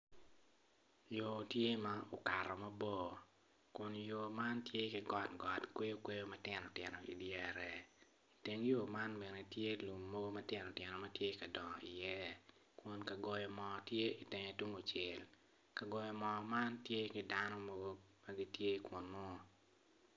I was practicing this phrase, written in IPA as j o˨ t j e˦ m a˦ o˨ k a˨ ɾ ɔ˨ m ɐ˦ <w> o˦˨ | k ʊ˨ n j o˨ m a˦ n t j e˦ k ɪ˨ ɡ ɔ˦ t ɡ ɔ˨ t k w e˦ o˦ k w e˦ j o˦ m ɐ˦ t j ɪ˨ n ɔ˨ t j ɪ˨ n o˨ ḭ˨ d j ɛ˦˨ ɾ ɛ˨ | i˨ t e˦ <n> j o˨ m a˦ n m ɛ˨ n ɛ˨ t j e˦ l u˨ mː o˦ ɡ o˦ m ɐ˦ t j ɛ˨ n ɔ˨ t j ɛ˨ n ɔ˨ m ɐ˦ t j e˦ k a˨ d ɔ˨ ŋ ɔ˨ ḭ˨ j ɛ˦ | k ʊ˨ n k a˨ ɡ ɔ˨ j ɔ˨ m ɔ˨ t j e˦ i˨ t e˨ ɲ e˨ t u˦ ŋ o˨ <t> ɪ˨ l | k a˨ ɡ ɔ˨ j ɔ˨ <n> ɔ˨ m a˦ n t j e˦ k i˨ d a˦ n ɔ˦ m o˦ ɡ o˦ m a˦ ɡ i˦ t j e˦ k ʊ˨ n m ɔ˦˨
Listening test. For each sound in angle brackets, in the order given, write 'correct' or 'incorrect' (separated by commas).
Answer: incorrect, incorrect, incorrect, incorrect